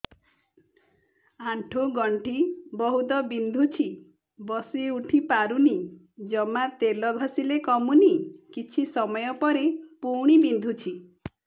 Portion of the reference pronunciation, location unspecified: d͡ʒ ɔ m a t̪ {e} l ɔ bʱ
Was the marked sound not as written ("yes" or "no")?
no